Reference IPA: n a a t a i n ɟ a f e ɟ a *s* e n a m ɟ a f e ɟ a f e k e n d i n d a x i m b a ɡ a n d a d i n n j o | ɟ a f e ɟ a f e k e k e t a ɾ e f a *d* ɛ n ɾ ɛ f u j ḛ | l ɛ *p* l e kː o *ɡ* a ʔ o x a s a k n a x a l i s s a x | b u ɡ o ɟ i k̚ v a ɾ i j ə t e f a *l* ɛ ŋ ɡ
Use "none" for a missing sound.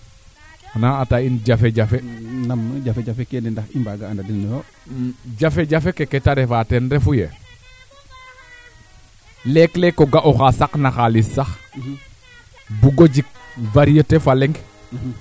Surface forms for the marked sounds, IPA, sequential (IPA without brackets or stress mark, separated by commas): f, t, k, ɡ, l